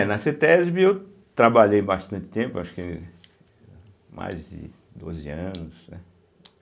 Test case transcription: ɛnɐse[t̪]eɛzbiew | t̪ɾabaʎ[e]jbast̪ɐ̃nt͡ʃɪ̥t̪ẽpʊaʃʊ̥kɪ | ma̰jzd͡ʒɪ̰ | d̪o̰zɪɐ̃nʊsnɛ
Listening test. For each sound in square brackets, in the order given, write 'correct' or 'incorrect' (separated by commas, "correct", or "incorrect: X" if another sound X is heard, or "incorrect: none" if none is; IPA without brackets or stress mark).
correct, correct